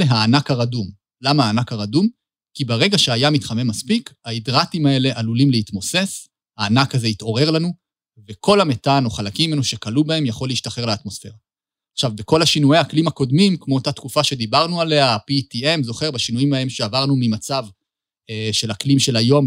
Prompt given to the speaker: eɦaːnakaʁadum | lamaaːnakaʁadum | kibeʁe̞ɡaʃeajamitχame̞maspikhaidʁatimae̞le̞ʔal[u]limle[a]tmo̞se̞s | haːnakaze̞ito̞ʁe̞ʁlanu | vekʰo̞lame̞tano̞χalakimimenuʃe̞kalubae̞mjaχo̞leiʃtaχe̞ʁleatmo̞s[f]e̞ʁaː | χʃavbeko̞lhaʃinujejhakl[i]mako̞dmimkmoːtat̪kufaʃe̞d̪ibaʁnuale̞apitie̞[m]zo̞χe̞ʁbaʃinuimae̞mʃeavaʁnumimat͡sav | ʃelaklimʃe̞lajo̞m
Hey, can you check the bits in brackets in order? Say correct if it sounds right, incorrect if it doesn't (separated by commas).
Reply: correct, incorrect, correct, correct, correct